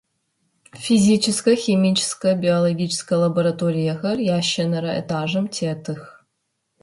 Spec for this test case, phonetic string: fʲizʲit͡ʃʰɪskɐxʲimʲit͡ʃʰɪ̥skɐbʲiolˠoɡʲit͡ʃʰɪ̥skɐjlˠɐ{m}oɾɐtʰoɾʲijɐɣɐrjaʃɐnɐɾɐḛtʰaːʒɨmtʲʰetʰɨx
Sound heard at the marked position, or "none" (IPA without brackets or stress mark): b